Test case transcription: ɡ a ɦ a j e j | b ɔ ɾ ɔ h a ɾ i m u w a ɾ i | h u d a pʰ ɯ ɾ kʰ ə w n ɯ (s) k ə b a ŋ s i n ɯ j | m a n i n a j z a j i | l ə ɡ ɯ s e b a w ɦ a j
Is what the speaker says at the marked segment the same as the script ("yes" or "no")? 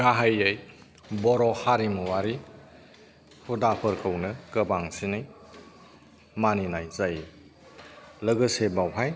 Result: no